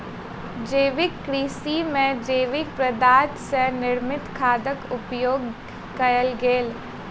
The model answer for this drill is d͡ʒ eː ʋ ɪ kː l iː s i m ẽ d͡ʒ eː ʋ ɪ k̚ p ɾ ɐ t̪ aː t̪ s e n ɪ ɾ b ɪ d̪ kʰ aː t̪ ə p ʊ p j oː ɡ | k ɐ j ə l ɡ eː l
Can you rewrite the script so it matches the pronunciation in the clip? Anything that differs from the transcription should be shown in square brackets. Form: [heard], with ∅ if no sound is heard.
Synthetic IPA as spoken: d͡ʒ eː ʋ ɪ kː [ɾ] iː s i m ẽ d͡ʒ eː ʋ ɪ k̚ p ɾ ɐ [d̪] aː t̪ s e n ɪ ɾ [m] ɪ [t̪] kʰ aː [d̪] ə [k] ʊ p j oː ɡ | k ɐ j ə l ɡ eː l